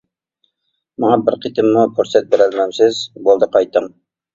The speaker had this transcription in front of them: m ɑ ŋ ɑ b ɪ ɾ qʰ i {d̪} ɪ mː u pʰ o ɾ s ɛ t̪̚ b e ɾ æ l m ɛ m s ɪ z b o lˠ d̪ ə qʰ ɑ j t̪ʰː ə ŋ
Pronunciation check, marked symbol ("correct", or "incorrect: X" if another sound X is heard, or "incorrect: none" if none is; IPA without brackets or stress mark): incorrect: t̪